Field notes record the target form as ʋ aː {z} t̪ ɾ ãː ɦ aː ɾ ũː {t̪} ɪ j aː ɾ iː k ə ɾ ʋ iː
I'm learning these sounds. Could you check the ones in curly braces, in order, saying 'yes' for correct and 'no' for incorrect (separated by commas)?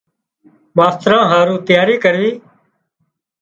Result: no, yes